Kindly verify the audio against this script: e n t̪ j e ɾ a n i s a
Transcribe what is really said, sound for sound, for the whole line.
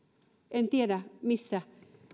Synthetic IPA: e n t̪ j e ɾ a m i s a